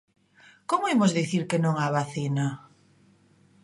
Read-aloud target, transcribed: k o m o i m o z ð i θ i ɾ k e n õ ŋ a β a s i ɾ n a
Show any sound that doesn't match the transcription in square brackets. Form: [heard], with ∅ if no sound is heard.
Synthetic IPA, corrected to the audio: k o m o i m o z ð i θ i ɾ k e n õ ŋ a β a [θ] i [∅] n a